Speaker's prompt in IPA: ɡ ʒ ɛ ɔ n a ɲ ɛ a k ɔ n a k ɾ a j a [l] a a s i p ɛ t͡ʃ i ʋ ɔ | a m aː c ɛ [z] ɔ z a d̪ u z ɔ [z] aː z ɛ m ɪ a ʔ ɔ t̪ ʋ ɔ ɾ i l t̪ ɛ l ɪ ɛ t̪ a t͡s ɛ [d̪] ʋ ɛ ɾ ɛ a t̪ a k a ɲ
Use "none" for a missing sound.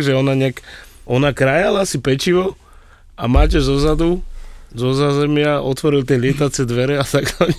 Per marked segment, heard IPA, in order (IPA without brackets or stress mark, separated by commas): l, z, z, d̪